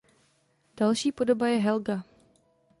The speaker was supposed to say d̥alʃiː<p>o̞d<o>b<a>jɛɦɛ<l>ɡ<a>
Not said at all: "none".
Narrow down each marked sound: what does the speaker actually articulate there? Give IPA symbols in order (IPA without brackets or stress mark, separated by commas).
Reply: p, o, a, l, a